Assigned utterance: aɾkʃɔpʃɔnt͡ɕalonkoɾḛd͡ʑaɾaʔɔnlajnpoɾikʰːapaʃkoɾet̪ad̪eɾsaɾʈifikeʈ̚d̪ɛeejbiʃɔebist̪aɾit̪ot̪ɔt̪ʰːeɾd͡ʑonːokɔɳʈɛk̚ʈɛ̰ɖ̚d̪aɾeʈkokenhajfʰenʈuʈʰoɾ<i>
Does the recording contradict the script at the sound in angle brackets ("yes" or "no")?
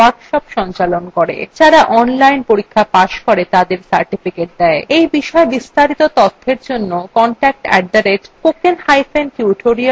no